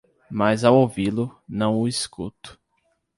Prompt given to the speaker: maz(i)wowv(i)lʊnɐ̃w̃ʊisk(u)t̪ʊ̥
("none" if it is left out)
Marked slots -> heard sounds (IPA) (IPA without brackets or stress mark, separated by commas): a, i, u